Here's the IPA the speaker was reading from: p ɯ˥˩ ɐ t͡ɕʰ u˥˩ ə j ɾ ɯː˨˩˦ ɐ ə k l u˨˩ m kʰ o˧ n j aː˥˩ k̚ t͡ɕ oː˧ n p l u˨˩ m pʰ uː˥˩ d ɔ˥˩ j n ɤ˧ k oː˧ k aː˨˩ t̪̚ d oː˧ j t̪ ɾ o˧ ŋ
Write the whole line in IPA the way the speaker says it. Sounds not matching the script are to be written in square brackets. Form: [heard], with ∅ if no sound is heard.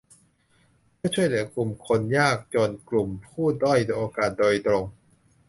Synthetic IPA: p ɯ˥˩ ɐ t͡ɕʰ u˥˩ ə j [l] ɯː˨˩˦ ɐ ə k l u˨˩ m kʰ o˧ n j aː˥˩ k̚ t͡ɕ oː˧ n [k] l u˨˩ m pʰ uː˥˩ d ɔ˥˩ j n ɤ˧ [ʔ] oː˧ k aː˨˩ t̪̚ d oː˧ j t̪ ɾ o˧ ŋ